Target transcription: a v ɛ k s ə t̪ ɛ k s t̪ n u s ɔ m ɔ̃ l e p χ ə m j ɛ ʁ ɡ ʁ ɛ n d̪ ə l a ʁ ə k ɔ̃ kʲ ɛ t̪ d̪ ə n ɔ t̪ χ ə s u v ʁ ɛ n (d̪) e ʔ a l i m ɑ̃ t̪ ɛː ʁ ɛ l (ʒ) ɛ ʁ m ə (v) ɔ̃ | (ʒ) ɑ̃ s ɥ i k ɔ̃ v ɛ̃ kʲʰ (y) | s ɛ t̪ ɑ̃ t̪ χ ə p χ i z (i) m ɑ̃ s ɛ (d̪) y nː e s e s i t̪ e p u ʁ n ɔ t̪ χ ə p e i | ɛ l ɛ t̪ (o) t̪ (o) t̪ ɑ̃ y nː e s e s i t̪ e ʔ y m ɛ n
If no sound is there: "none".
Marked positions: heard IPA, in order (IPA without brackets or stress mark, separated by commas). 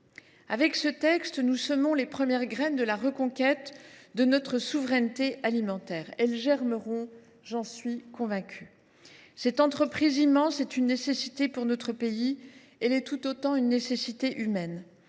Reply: t̪, ʒ, ʁ, ʒ, y, i, t̪, u, o